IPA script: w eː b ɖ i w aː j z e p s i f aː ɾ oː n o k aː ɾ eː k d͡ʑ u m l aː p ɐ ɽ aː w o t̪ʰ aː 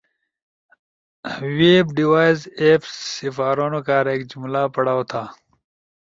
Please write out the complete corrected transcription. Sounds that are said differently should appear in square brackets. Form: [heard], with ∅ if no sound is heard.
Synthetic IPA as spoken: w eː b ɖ i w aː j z e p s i f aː ɾ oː n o k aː ɾ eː k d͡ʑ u m l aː p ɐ ɽ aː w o t̪ʰ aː